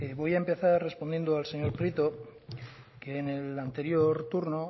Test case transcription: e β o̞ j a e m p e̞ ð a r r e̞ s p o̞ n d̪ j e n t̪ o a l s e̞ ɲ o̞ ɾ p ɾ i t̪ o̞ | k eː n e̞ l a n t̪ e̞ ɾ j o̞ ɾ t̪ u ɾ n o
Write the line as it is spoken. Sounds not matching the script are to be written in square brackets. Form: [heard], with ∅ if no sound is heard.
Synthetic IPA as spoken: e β o̞ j a e m p e̞ [θ] a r r e̞ s p o̞ n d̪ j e n [d̪] o a l s e̞ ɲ o̞ ɾ p ɾ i t̪ o̞ | k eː n e̞ l a n t̪ e̞ ɾ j o̞ ɾ t̪ u ɾ n o